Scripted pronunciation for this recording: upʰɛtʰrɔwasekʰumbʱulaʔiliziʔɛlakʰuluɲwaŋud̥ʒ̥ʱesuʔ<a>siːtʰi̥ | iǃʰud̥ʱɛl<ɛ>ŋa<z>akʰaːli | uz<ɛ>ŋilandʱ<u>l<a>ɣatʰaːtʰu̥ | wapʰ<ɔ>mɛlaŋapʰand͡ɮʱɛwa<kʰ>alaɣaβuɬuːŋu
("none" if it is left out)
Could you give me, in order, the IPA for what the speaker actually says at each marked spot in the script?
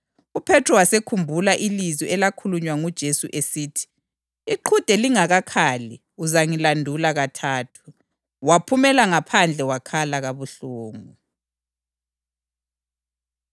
e, i, ɣ, a, u, a, u, kʰ

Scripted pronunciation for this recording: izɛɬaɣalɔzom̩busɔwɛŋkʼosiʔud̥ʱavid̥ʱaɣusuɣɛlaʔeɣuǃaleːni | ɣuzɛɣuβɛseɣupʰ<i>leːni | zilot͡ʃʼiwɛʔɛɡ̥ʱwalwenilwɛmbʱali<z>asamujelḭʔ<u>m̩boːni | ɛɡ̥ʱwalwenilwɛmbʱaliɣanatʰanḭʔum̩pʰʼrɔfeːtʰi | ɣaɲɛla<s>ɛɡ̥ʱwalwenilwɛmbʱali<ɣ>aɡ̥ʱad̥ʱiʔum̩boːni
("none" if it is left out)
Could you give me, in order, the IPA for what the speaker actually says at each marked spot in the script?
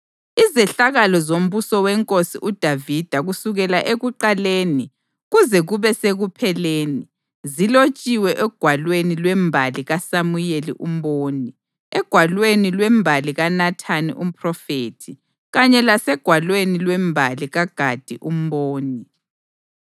ɛ, ɣ, u, s, ɣ

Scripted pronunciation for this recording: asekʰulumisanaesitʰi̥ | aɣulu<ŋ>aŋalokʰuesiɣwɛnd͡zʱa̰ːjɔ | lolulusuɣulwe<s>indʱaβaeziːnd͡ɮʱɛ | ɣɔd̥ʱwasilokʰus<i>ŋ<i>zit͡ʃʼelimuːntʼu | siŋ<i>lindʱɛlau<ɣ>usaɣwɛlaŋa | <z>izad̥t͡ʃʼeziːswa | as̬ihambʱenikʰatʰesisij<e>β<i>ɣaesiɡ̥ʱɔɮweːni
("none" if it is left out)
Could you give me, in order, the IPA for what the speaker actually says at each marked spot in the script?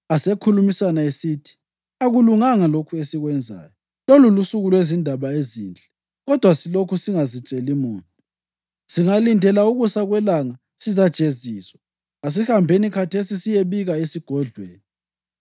ŋ, z, i, a, a, ɣ, s, e, i

